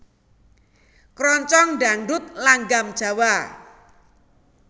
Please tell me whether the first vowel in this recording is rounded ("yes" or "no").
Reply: yes